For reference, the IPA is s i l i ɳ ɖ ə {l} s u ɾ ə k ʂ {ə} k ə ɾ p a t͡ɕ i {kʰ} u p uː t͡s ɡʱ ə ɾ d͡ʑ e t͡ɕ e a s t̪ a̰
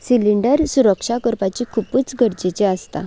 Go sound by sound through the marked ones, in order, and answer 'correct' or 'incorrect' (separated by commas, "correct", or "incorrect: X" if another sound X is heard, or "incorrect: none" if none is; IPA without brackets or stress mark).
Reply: incorrect: ɾ, incorrect: a, correct